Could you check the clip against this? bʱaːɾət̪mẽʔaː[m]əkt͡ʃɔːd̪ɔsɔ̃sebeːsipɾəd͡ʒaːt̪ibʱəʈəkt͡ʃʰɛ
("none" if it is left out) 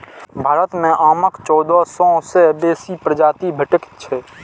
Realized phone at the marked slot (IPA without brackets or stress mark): m